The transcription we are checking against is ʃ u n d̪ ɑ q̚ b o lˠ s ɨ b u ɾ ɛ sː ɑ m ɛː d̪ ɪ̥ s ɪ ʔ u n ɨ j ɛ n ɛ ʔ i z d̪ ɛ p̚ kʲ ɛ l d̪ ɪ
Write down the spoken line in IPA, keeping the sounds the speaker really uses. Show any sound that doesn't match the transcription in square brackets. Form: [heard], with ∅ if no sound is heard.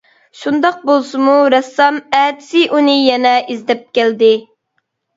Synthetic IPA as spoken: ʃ u n d̪ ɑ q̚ b o lˠ s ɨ [m] u ɾ ɛ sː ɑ m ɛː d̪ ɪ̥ s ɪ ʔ u n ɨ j ɛ n ɛ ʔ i z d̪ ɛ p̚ kʲ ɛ l d̪ ɪ

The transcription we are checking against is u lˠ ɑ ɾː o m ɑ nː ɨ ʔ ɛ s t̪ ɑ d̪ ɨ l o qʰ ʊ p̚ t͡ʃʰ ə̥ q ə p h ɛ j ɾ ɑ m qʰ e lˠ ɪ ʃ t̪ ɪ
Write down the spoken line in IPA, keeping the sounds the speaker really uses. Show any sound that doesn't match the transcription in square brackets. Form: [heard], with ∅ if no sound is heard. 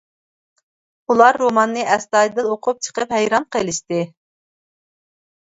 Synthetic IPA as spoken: u lˠ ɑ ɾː o m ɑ nː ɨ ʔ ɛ s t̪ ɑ d̪ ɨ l o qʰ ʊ p̚ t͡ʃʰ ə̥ q ə p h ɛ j ɾ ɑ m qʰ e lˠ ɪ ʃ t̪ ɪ

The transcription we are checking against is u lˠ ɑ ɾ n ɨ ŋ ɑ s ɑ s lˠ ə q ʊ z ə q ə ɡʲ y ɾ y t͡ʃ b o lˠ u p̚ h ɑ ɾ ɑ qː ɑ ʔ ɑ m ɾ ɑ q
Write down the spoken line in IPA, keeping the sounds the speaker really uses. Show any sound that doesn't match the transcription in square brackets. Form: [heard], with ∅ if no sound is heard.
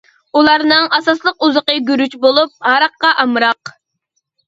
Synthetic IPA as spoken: u lˠ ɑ ɾ n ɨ ŋ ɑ s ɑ s lˠ ə q [u] z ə q ə ɡʲ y ɾ y t͡ʃ b o lˠ u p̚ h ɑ ɾ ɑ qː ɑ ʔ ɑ m ɾ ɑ q

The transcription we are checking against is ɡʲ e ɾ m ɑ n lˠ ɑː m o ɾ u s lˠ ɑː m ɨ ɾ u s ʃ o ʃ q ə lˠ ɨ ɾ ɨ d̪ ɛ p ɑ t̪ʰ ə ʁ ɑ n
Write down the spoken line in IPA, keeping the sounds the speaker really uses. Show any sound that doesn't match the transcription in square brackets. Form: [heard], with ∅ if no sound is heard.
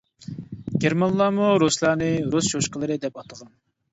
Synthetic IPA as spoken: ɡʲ e ɾ m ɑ n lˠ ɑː m [u] ɾ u s lˠ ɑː [n] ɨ ɾ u s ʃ o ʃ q ə lˠ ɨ ɾ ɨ d̪ ɛ p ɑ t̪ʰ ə ʁ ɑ n

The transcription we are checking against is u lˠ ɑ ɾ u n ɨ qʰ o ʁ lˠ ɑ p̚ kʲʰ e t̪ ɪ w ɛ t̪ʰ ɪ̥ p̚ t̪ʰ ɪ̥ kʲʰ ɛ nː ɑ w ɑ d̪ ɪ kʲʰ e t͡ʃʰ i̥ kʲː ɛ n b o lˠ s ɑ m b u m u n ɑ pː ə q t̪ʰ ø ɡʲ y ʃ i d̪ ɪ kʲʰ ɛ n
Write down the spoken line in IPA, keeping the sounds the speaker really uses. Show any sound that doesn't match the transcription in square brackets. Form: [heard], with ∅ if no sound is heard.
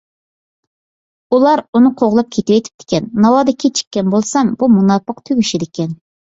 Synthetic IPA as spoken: u lˠ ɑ ɾ u n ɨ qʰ o ʁ lˠ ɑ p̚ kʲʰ e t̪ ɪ w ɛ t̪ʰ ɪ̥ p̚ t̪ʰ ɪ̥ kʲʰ ɛ nː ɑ w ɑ d̪ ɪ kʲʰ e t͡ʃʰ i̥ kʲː ɛ n b o lˠ s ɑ m b u m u n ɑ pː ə q t̪ʰ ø ɡʲ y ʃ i d̪ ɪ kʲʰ ɛ n

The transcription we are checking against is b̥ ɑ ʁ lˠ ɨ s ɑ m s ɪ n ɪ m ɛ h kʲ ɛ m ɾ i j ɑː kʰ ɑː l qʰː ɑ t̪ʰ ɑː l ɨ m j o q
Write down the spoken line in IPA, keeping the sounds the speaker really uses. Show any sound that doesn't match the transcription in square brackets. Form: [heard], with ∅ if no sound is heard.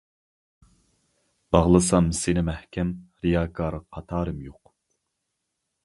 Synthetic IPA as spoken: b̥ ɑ ʁ lˠ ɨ s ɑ m s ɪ n ɪ m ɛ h kʲ ɛ m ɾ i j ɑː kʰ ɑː [ɾ] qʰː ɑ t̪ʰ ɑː [ɾ] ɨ m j o q

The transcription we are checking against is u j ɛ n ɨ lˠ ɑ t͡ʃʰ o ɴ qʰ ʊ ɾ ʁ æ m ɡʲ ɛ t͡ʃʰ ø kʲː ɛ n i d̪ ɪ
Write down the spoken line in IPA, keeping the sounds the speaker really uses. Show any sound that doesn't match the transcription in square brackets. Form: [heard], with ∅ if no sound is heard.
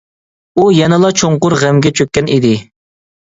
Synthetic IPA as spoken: u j ɛ n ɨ lˠ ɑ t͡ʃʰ o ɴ [q] ʊ ɾ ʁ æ m ɡʲ ɛ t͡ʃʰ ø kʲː ɛ n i d̪ ɪ

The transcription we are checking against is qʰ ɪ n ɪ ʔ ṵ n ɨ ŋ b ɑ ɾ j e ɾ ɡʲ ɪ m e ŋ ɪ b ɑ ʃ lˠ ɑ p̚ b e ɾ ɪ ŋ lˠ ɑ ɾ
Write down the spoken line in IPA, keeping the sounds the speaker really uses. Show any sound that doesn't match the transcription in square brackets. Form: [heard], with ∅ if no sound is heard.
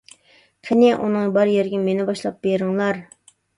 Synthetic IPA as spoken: qʰ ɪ n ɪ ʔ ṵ n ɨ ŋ b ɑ ɾ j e ɾ ɡʲ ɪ m e [n] ɪ b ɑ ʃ lˠ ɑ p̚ b e ɾ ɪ ŋ lˠ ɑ ɾ

